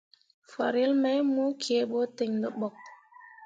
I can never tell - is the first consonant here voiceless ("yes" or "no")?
yes